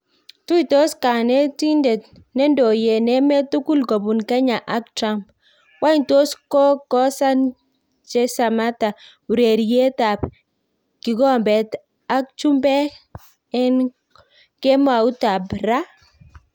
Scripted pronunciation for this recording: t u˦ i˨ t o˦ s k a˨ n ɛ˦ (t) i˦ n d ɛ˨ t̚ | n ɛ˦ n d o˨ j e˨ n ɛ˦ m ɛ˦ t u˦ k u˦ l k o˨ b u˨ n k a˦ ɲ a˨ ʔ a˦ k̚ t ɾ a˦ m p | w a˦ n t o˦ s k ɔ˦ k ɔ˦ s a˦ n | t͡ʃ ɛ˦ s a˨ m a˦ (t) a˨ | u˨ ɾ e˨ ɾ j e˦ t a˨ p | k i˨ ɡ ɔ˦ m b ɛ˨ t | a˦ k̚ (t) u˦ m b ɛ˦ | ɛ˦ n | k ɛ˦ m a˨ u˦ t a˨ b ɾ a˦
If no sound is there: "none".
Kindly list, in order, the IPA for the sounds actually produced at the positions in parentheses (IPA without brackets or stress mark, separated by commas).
t, t, t͡ʃ